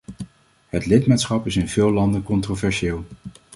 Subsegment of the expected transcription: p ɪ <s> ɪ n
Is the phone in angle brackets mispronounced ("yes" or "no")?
no